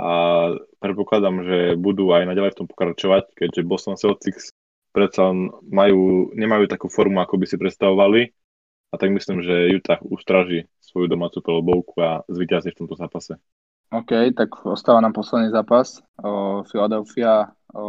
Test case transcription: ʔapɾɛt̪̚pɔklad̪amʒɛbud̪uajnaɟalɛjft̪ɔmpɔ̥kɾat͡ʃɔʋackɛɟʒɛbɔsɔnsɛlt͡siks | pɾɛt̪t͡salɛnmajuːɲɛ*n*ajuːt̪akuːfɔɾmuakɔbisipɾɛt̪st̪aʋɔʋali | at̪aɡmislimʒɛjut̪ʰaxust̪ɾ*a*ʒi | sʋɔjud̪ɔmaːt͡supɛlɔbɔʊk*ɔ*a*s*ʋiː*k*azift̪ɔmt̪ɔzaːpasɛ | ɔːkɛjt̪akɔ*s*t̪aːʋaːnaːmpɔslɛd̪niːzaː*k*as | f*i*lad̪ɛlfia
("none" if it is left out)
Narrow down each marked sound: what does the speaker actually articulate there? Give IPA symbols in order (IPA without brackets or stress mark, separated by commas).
m, a, u, z, c, s, p, i